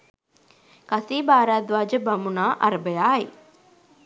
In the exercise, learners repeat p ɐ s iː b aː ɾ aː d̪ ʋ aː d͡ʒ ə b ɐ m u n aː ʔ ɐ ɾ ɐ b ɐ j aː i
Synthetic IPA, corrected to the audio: k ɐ s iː b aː ɾ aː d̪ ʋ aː d͡ʒ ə b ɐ m u n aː ʔ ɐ ɾ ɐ b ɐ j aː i